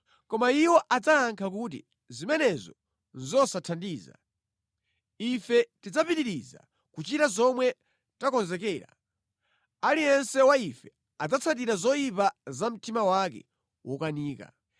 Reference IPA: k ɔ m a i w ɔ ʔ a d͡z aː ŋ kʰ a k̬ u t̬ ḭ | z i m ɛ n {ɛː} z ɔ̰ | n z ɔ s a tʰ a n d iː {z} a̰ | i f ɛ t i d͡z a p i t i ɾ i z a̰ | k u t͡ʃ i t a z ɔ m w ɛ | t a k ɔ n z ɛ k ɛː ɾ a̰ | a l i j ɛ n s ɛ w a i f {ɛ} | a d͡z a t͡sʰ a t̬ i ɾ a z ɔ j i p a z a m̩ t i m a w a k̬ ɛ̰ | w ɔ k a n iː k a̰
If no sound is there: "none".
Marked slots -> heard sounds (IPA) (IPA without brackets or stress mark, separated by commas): ɛ, z, ɛ